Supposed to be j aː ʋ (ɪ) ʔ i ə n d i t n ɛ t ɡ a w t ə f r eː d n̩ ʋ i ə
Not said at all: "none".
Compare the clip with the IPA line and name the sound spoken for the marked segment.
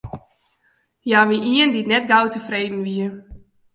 i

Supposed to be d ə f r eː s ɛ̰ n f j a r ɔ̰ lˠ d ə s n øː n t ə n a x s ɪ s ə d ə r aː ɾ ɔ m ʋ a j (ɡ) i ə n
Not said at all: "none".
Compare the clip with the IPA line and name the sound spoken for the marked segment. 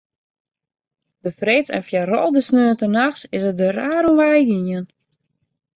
ɡ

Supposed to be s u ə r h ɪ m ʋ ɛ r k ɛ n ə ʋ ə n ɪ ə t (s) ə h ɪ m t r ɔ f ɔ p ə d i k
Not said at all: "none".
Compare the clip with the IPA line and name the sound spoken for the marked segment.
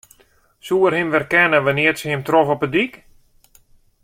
s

